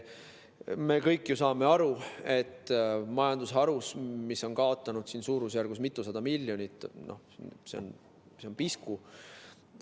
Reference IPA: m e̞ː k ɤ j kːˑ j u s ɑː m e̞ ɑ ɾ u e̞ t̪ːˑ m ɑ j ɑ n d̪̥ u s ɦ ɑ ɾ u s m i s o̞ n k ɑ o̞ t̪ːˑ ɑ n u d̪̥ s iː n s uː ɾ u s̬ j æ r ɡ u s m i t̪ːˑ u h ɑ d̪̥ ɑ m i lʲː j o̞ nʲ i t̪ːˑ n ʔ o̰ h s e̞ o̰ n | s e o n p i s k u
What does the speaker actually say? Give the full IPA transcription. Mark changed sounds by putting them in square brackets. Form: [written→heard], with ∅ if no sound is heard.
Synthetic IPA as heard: m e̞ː k ɤ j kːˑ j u s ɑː m e̞ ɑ ɾ u e̞ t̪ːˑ m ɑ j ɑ n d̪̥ u s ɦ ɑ ɾ u s m i s o̞ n k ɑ o̞ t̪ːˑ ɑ n u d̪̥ s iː n s uː ɾ u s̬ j æ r ɡ u s m i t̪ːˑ u [h→s] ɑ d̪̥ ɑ m i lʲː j o̞ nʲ i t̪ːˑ n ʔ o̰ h s e̞ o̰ n | s e o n p i s k u